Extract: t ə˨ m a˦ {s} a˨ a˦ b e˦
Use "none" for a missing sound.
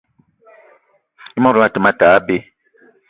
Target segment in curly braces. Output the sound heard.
t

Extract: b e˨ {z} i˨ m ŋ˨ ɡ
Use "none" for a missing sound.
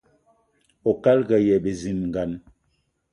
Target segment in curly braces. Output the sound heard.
z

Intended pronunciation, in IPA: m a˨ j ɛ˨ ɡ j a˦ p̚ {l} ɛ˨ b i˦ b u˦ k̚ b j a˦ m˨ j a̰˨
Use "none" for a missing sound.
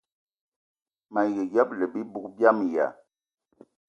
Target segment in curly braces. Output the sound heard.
l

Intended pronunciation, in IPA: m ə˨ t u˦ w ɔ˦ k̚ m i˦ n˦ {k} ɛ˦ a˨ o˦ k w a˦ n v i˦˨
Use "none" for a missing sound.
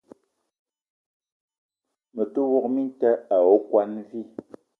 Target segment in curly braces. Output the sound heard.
t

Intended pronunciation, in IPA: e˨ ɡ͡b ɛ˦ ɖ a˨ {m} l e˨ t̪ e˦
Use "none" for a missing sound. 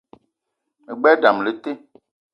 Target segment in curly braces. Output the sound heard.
m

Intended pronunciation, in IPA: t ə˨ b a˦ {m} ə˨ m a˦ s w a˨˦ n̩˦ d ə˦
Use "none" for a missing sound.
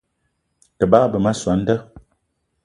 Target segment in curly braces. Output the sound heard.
b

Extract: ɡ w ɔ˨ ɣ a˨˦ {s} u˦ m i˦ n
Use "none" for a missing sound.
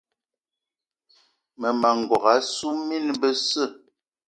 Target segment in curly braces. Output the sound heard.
s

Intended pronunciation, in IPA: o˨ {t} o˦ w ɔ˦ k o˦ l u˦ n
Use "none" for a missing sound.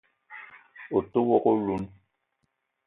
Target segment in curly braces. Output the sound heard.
t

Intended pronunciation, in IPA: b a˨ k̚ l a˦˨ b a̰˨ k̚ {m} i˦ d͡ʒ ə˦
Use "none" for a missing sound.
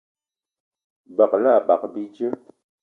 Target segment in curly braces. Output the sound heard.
b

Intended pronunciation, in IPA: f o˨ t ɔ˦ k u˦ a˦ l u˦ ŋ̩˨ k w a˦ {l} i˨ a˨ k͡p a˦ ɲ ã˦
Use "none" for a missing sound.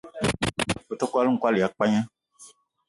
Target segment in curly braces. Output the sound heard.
l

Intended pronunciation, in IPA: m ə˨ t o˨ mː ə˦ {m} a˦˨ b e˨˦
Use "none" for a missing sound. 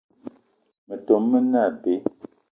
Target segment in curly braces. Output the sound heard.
n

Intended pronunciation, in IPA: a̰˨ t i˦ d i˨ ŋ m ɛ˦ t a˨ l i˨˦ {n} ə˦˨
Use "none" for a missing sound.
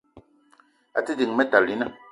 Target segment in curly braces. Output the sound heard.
n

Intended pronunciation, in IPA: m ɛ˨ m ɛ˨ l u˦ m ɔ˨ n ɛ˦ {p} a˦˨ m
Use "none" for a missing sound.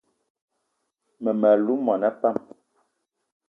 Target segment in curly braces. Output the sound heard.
p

